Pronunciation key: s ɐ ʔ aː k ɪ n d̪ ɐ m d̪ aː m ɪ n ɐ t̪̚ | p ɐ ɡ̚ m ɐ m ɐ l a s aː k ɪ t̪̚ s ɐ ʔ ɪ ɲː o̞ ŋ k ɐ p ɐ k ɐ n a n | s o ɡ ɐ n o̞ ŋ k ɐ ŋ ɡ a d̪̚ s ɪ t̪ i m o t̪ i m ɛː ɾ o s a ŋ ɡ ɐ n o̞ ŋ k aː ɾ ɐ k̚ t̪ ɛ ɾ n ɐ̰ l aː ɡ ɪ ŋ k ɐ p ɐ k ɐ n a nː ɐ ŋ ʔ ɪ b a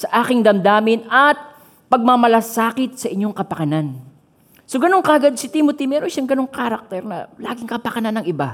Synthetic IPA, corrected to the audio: s ɐ ʔ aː k ɪ ŋ d̪ ɐ m d̪ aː m ɪ n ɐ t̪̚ | p ɐ ɡ̚ m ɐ m ɐ l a s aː k ɪ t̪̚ s ɐ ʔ ɪ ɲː o̞ ŋ k ɐ p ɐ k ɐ n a n | s o ɡ ɐ n o̞ ŋ k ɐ ɡ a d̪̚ s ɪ t̪ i m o t̪ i m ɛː ɾ o ʃ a ŋ ɡ ɐ n o̞ ŋ k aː ɾ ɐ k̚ t̪ ɛ ɾ n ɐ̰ l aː ɡ ɪ ŋ k ɐ p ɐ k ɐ n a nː ɐ ŋ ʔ ɪ b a